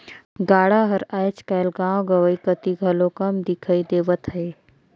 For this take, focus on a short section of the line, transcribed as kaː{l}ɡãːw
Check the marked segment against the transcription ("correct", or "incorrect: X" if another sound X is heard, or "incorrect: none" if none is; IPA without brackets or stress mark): correct